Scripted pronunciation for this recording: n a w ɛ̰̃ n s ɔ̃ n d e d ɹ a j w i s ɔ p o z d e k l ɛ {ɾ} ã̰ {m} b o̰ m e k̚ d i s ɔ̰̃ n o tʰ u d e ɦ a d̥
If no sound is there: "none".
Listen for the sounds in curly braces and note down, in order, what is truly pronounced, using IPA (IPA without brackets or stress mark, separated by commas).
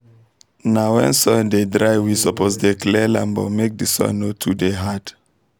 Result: l, m